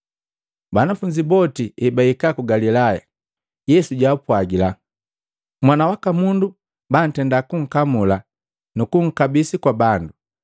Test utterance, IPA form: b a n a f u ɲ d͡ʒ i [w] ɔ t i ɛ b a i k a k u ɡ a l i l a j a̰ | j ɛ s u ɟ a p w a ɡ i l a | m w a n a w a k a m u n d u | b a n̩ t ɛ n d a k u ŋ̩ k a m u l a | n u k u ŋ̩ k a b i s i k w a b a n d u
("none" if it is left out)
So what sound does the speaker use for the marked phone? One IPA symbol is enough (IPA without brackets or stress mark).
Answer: b